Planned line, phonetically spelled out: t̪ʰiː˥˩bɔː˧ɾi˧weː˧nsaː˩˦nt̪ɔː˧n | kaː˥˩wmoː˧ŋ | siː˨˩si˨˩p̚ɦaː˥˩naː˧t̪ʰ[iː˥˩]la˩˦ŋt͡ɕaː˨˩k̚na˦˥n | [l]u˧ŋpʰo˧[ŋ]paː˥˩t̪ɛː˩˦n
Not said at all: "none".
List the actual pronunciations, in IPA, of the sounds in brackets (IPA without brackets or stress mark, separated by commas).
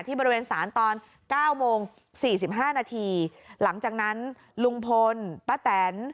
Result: iː˧, l, n